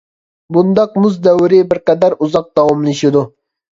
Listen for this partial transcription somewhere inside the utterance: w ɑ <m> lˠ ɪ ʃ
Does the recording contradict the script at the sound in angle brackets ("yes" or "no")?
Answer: no